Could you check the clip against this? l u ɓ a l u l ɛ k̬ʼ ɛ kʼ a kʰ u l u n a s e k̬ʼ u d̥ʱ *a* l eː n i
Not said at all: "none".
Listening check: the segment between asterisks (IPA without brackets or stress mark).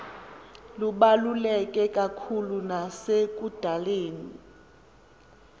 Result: a